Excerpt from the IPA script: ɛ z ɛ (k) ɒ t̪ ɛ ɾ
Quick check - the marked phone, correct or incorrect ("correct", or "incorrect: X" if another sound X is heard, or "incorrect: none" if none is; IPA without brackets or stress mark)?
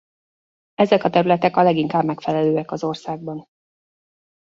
correct